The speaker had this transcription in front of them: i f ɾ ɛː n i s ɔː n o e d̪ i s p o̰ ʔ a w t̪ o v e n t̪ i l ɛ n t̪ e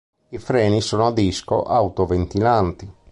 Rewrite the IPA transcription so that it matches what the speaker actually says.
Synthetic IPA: i f ɾ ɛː n i s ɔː n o a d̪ i s k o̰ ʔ a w t̪ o v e n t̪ i l a n t̪ i

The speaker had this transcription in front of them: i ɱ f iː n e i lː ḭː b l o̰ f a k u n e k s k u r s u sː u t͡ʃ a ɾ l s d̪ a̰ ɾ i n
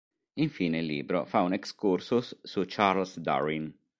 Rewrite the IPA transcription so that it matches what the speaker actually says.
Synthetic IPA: i ɱ f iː n e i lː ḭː b ɾ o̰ f a u n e k s k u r s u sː u t͡ʃ a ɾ l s d̪ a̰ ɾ i n

